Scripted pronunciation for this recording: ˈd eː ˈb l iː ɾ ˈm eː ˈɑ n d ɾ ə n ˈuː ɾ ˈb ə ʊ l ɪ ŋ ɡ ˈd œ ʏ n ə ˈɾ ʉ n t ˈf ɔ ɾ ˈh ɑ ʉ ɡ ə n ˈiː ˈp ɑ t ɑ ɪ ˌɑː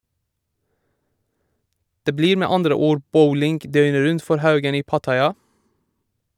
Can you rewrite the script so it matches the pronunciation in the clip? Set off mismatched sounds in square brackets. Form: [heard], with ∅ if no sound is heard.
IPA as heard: ˈd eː ˈb l iː ɾ ˈm eː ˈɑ n d ɾ ə [∅] ˈuː ɾ ˈb ə ʊ l ɪ ŋ ɡ ˈd œ ʏ n ə ˈɾ ʉ n t ˈf ɔ ɾ ˈh ɑ ʉ ɡ ə n ˈiː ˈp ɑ t ɑ ɪ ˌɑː